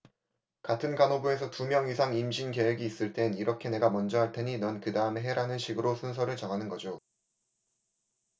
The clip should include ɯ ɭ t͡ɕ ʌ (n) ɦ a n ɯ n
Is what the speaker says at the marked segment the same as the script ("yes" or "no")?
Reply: no